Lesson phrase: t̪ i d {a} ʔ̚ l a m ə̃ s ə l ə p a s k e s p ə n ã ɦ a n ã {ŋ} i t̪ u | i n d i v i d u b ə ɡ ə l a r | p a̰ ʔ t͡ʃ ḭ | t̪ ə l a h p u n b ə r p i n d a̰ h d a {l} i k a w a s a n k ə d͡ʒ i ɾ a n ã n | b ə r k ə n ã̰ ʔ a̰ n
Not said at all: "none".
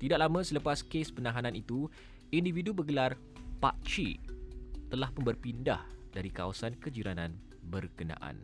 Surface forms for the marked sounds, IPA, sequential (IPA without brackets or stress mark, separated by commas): a, n, ɾ